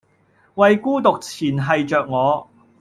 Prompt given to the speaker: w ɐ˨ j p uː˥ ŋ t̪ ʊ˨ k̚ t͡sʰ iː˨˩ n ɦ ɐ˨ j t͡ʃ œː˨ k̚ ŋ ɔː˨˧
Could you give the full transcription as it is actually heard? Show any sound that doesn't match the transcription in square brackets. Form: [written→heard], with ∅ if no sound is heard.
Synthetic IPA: w ɐ˨ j [p→k] uː˥ [ŋ→∅] t̪ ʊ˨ k̚ t͡sʰ iː˨˩ n ɦ ɐ˨ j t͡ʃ œː˨ k̚ ŋ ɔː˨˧